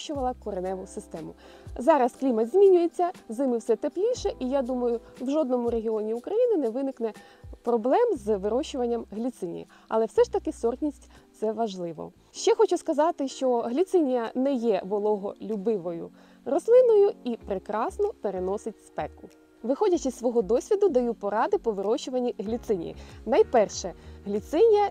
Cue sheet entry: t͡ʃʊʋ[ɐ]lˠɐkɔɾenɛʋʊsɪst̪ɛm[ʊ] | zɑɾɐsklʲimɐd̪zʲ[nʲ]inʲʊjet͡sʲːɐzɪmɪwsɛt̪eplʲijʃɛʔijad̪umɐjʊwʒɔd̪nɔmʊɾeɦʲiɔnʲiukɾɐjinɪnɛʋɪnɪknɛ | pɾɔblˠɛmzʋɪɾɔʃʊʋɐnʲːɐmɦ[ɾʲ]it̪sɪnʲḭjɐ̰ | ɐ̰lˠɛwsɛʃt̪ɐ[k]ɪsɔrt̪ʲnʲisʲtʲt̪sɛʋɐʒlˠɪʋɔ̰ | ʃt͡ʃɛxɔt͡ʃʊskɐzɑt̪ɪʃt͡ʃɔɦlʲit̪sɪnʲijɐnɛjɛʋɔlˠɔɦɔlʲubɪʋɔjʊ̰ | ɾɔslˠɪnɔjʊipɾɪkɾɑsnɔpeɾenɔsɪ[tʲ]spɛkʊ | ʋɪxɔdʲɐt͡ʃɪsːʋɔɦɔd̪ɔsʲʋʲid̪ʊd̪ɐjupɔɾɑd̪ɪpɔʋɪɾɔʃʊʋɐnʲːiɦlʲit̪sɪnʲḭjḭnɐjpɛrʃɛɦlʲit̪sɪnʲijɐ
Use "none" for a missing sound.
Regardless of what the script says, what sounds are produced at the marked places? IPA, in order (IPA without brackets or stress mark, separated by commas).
ɐ, ʊ, mʲ, lʲ, k, tʲ